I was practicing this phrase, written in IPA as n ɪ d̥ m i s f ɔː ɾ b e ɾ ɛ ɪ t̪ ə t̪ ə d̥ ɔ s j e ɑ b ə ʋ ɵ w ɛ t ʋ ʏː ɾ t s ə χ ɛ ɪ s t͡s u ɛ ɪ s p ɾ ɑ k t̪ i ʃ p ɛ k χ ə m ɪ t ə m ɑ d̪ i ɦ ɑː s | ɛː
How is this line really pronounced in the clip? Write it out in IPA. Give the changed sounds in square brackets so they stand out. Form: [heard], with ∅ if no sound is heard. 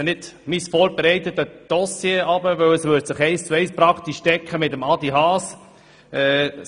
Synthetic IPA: n ɪ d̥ m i s f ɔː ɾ b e ɾ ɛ ɪ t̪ ə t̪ ə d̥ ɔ s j e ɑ b ə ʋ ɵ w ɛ [s] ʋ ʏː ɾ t s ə χ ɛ ɪ s t͡s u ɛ ɪ s p ɾ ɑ k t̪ i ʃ [t] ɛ k χ ə m ɪ t ə m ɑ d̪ i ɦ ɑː s | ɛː